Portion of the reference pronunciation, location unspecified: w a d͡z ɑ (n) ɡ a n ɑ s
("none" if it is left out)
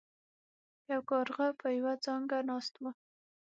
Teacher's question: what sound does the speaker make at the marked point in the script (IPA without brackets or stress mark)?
ŋ